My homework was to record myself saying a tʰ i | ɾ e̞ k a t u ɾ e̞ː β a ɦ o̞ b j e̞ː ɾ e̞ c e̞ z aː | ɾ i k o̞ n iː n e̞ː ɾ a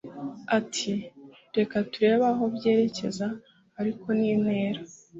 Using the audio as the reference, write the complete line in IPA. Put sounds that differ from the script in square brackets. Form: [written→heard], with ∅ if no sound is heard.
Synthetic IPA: a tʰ i | ɾ e̞ k a t u ɾ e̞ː β a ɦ o̞ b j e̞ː ɾ e̞ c e̞ z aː | ɾ i k o̞ n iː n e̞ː ɾ a

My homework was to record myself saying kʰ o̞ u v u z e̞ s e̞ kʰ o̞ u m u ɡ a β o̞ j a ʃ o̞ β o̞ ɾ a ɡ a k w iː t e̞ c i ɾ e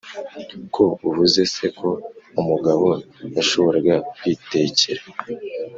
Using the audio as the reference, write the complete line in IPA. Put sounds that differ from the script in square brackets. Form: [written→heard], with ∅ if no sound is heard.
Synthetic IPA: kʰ o̞ u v u z e̞ s e̞ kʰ o̞ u m u ɡ a β o̞ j a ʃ o̞ β o̞ ɾ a ɡ a k w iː t e̞ c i ɾ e

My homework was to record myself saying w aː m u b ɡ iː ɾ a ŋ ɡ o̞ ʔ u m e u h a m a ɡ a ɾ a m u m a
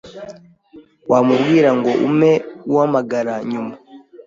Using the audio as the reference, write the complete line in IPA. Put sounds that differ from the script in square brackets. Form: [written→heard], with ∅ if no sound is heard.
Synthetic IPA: w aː m u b ɡ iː ɾ a ŋ ɡ o̞ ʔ u m e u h a m a ɡ a ɾ a [m→ɲ] u m a

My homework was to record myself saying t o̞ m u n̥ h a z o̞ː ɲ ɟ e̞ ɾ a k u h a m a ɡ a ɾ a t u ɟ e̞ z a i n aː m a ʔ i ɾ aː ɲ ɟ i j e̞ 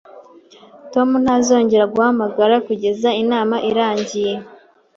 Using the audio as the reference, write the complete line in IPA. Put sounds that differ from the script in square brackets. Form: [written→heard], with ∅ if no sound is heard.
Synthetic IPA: t o̞ m u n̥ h a z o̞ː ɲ ɟ e̞ ɾ a [k→ɡ] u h a m a ɡ a ɾ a [t→k] u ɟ e̞ z a i n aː m a ʔ i ɾ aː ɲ ɟ i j e̞

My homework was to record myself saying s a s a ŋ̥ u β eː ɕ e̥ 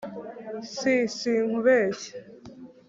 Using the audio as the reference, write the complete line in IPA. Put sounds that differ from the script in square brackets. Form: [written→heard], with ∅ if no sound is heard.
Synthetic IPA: s [a→i] s [a→i] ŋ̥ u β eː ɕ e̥

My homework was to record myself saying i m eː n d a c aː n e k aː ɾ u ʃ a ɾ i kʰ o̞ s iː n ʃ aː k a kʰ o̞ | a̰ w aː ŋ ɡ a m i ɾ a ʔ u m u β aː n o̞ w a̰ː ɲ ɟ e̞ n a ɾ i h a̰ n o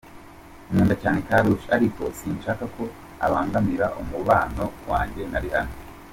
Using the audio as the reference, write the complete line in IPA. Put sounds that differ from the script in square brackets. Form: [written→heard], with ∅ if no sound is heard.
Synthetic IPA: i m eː n d a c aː n e k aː ɾ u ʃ a ɾ i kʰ o̞ s iː n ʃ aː k a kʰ o̞ | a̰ [w→β] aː ŋ ɡ a m i ɾ a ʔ u m u β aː n o̞ w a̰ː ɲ ɟ e̞ n a ɾ i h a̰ n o

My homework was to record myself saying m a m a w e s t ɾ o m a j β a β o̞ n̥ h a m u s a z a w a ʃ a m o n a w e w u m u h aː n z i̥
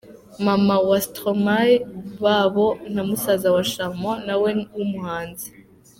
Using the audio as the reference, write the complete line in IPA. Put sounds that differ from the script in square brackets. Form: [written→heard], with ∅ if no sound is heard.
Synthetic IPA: m a m a w [e→a] s t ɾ o m a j β a β o̞ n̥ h a m u s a z a w a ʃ a m o n a w e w u m u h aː n z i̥

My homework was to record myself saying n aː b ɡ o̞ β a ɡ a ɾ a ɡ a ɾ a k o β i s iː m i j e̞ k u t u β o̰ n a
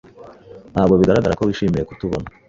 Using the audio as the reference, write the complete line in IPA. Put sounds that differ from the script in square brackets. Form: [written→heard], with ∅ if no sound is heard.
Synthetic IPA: n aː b ɡ o̞ β [a→i] ɡ a ɾ a ɡ a ɾ a k o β i [s→ʃ] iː m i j e̞ k u t u β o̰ n a

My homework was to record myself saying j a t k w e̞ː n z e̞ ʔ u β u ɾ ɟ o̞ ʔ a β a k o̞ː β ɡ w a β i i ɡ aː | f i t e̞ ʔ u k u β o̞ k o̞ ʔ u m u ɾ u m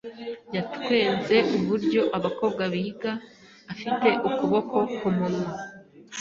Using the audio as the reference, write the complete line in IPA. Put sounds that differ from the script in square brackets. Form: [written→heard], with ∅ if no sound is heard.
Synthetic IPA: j a t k w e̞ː n z e̞ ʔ u β u ɾ ɟ o̞ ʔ a β a k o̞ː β ɡ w a β i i ɡ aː | f i t e̞ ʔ u k u β o̞ k o̞ [ʔ→k] u m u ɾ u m

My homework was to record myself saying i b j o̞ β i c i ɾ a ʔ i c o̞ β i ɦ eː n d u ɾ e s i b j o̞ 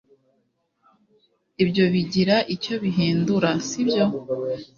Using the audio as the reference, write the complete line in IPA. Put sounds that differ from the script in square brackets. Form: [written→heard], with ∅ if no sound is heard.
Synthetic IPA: i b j o̞ β i [c→ɟ] i ɾ a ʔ i c o̞ β i ɦ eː n d u ɾ [e→a] s i b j o̞

